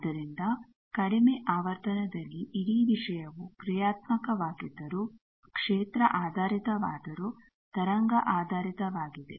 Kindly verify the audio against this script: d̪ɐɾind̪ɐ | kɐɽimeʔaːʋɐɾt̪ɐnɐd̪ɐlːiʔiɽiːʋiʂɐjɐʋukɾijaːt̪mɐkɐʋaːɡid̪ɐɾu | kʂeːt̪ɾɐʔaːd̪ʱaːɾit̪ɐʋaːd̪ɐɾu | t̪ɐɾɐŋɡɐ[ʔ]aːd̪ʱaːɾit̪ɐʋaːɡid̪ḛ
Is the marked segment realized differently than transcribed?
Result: no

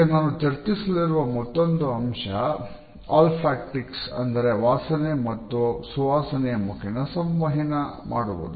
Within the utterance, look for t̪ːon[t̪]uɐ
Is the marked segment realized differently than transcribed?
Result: yes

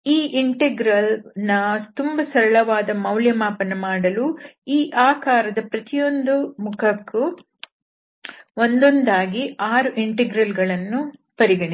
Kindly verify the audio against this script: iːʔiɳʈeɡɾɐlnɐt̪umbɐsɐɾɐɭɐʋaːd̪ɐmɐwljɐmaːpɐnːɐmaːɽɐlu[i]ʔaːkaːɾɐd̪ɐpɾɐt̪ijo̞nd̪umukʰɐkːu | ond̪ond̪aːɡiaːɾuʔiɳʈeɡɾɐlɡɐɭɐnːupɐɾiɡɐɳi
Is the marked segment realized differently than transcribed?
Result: yes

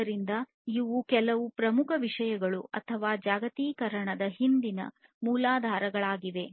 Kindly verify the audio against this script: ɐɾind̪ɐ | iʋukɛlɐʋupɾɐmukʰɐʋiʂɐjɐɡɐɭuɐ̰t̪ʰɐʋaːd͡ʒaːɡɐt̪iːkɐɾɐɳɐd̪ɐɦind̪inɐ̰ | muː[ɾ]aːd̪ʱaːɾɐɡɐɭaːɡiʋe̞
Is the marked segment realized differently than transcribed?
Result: yes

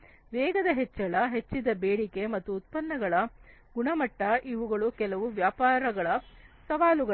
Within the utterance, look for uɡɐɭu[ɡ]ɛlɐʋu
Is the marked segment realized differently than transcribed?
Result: yes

